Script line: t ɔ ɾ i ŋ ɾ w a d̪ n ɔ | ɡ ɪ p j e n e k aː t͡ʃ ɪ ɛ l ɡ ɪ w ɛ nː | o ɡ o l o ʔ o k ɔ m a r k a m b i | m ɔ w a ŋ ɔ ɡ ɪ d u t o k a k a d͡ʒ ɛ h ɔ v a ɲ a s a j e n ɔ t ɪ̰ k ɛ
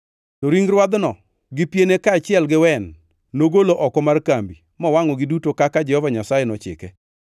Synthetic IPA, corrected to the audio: t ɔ ɾ i ŋ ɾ w a d̪ n ɔ | ɡ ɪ p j e n e k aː t͡ʃ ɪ ɛ l ɡ ɪ w ɛ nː | o ɡ o l o ʔ ɔ k ɔ m a r k a m b i | m ɔ w a ŋ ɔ ɡ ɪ d u t o k a k a d͡ʒ ɛ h ɔ v a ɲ a s a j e n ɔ t͡ʃ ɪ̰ k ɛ